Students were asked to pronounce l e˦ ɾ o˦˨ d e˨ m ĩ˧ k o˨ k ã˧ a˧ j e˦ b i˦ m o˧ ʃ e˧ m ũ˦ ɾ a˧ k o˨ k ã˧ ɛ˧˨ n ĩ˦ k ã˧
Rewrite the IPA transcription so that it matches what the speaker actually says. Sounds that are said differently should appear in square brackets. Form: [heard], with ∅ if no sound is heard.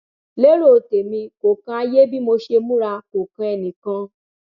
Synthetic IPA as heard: l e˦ ɾ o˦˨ [t] e˨ m ĩ˧ k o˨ k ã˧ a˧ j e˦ b i˦ m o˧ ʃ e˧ m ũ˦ ɾ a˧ k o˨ k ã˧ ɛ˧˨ n [ĩ˨] k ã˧